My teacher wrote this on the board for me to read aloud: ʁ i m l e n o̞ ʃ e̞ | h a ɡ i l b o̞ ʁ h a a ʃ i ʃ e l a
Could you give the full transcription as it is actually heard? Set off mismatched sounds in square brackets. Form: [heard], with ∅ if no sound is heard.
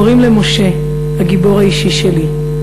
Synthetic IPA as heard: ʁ i m l e [m] o̞ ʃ e̞ | h a ɡ i [∅] b o̞ ʁ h a [i] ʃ i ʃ e l [i]